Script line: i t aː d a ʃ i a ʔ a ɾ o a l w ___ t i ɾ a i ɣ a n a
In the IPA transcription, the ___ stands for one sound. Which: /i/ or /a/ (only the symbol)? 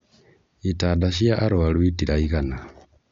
i